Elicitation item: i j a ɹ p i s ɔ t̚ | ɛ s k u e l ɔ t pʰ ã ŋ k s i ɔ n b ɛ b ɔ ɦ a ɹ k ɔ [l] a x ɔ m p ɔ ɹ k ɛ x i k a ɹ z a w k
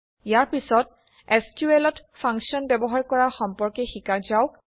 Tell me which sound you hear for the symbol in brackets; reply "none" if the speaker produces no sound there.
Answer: ɹ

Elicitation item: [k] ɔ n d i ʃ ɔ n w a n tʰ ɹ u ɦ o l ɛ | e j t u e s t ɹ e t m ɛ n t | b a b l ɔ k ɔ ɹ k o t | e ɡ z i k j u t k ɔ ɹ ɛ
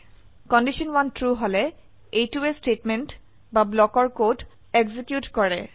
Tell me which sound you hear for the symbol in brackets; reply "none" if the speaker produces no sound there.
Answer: k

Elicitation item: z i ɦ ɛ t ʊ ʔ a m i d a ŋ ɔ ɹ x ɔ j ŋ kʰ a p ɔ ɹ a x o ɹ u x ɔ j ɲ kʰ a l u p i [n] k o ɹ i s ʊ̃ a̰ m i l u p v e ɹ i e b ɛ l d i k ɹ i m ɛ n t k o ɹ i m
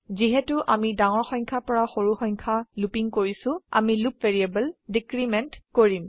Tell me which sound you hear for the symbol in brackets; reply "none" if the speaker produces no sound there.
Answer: ŋ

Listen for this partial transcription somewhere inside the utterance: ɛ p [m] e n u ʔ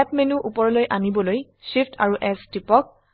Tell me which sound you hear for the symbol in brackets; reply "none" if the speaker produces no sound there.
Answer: m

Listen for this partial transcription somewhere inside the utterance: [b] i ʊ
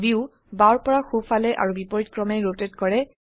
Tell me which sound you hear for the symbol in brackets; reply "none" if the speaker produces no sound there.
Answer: b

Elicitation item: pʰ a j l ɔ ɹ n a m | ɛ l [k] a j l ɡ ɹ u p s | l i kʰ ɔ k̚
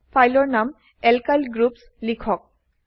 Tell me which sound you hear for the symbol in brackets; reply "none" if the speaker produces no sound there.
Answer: k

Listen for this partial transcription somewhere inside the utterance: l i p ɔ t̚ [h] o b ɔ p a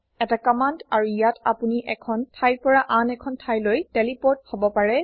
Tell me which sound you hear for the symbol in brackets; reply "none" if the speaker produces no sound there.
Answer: h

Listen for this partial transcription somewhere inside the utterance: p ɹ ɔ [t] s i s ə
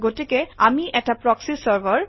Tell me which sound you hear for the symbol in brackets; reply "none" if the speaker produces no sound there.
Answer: k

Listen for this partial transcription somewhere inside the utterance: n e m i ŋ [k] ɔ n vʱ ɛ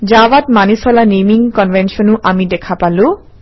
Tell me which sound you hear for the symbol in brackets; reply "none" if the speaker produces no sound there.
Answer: k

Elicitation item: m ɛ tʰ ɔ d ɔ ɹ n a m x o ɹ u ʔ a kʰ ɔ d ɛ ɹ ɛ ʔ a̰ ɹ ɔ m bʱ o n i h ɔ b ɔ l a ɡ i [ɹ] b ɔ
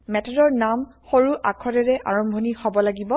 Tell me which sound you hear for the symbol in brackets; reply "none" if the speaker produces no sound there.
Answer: none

